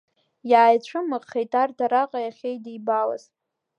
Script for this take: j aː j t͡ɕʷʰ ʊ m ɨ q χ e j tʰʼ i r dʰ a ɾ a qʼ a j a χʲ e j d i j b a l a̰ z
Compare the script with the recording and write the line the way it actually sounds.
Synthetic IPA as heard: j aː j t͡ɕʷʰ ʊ m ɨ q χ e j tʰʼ a r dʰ a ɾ a qʼ a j a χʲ e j d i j b a l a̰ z